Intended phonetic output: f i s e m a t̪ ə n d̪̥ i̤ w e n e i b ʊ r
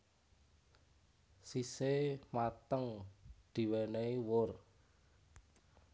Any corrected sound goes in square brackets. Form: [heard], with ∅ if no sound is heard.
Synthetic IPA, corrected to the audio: [s] i s e m a t̪ ə [ŋ] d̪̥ i̤ w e n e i [w] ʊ r